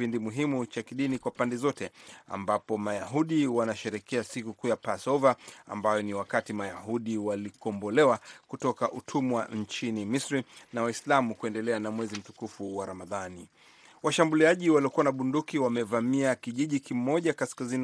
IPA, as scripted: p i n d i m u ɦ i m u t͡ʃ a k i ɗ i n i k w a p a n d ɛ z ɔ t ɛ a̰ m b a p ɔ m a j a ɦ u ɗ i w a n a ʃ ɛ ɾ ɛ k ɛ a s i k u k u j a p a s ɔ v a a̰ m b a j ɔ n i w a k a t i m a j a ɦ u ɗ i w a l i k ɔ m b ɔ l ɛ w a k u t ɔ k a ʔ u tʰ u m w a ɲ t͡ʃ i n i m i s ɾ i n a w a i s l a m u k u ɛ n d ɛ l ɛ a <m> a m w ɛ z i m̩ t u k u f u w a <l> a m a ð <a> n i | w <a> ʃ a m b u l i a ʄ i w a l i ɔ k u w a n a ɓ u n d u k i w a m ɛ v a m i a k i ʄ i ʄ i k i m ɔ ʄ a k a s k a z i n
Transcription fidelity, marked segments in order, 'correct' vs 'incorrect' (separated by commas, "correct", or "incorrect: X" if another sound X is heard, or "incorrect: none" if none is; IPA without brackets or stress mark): incorrect: n, incorrect: ɾ, correct, correct